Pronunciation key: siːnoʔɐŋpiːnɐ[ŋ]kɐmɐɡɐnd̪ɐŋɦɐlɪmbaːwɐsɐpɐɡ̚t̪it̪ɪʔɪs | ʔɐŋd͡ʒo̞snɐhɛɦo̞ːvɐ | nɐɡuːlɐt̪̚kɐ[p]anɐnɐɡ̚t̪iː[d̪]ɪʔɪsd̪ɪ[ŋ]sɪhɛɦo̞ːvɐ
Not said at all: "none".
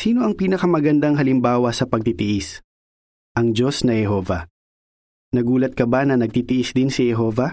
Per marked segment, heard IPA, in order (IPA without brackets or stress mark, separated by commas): none, b, t̪, n